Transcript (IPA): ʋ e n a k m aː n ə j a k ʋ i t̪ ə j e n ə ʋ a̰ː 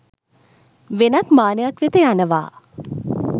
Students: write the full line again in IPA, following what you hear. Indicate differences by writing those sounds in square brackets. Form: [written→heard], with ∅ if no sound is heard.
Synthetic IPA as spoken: ʋ e n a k m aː n ə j a k ʋ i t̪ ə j [e→a] n ə ʋ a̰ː